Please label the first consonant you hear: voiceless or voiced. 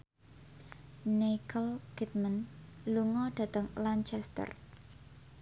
voiced